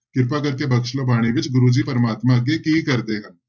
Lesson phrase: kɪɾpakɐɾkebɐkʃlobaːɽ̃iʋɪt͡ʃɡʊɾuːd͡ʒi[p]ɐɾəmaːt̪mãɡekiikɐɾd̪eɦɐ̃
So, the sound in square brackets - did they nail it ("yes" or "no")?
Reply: yes